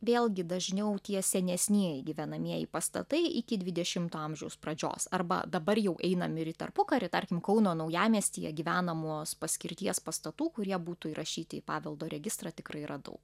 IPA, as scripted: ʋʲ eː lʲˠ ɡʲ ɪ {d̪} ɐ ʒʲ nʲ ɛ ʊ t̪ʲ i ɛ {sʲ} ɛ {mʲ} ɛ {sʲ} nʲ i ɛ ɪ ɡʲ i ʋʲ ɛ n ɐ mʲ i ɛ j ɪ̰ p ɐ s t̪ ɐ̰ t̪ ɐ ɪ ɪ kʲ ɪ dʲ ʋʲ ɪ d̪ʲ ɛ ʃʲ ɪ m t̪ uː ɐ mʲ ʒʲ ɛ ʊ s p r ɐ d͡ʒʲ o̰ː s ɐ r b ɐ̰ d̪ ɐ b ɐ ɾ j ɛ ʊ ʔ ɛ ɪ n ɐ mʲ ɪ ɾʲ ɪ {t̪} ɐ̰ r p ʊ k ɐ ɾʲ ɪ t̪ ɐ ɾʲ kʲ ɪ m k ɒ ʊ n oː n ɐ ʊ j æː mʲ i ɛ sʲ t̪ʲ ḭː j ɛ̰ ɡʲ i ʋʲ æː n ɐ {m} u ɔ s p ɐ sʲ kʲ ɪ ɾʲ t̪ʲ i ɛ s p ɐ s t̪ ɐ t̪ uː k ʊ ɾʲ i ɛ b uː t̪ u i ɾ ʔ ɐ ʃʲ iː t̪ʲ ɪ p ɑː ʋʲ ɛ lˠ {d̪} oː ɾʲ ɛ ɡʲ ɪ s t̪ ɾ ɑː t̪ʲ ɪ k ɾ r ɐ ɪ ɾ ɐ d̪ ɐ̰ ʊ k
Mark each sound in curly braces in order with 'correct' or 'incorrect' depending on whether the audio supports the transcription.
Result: correct, correct, incorrect, correct, correct, correct, correct

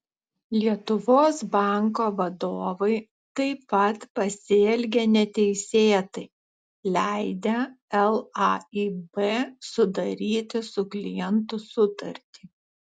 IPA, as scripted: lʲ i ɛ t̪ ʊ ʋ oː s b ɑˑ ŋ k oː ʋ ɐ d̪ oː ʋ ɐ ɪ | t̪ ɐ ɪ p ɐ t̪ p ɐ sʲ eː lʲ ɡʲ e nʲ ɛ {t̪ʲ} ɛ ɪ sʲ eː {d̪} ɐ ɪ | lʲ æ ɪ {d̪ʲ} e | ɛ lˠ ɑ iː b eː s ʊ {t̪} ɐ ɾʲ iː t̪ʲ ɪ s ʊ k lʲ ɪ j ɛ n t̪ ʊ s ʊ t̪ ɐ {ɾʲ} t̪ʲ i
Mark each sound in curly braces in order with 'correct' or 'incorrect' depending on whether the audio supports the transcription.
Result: correct, incorrect, correct, incorrect, correct

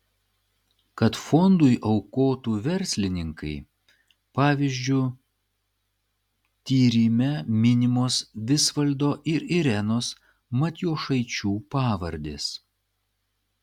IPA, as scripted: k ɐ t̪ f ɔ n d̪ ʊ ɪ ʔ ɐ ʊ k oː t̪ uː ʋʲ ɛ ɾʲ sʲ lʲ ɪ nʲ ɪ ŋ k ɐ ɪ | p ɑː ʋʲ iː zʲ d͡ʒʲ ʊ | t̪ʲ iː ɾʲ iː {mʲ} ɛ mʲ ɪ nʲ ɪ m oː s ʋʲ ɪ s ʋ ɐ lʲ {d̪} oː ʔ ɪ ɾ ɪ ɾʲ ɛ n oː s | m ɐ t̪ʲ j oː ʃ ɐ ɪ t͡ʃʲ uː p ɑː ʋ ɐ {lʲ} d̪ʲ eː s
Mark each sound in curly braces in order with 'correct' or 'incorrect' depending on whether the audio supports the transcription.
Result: correct, correct, incorrect

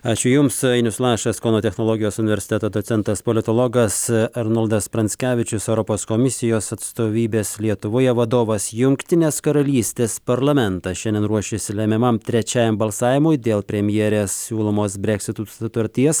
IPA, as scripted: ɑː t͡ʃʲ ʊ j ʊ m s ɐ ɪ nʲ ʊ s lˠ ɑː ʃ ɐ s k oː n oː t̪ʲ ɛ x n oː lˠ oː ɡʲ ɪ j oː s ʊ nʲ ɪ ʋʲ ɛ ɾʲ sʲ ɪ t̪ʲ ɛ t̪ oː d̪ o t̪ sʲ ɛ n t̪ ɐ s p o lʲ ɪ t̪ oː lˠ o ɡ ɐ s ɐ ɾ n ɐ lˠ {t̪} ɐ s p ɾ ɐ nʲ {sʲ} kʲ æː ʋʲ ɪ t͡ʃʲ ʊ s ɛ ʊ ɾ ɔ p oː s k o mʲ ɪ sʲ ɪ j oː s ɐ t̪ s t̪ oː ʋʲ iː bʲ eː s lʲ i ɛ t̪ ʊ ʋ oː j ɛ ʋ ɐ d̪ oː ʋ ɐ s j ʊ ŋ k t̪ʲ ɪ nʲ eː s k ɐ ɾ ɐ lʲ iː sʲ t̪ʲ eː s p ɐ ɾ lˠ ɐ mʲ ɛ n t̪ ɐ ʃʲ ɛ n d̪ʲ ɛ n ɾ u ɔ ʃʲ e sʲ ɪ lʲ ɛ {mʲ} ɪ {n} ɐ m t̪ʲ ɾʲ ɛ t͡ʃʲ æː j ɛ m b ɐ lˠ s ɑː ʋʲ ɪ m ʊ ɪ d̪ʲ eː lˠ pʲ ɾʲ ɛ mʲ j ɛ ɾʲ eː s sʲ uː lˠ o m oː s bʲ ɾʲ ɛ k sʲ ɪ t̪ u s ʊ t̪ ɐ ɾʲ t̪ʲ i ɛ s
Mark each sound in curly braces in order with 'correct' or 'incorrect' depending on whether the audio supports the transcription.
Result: incorrect, correct, correct, incorrect

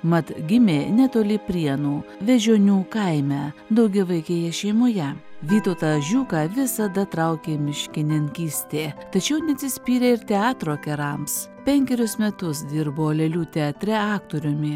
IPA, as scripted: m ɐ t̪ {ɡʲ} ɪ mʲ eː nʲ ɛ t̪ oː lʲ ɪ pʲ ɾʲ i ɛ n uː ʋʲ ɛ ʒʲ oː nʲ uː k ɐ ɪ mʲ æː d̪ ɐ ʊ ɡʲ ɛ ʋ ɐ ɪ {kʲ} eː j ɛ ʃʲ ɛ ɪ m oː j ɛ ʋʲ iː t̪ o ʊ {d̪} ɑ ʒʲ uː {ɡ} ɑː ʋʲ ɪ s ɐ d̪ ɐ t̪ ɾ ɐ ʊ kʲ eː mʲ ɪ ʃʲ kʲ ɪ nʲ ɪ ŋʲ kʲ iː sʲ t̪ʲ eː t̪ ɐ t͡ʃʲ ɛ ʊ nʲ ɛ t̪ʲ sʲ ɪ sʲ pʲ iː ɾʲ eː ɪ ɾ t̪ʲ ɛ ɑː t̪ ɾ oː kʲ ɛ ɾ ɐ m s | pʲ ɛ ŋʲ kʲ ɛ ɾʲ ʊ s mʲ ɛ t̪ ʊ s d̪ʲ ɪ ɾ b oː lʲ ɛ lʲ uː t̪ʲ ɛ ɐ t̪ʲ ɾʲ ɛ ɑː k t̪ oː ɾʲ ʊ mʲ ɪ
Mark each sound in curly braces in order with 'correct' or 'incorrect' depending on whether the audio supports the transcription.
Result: correct, correct, incorrect, incorrect

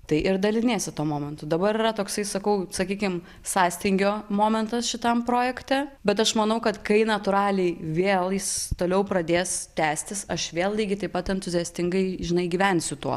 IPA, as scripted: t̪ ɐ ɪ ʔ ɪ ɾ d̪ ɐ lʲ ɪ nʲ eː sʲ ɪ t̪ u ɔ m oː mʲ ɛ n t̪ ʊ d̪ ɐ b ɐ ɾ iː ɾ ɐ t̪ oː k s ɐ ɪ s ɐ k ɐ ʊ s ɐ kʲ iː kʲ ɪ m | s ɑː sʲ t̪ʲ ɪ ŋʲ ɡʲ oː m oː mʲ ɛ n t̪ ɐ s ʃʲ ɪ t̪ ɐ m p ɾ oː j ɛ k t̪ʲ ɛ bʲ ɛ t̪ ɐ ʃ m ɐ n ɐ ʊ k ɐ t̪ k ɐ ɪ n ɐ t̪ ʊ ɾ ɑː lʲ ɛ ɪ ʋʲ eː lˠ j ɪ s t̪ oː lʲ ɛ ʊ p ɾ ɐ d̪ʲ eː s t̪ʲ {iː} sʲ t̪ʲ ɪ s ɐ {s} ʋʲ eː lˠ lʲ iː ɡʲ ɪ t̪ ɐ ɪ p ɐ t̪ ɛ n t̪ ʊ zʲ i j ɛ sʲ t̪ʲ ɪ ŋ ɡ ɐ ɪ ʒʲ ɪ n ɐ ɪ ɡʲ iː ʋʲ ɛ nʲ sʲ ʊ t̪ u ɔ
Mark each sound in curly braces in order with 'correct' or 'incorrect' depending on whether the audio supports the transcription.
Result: incorrect, incorrect

